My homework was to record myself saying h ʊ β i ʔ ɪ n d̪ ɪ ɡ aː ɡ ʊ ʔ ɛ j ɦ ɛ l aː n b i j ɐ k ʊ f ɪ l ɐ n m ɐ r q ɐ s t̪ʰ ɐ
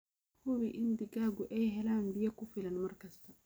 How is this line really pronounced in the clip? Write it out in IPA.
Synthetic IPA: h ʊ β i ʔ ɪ n d̪ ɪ ɡ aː ɡ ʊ ʔ ɛ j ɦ ɛ l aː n b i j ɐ k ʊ f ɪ l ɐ n m ɐ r k ɐ s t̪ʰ ɐ